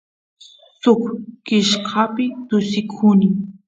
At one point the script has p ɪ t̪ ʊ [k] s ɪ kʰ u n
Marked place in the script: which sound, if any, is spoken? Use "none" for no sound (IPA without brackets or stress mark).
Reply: none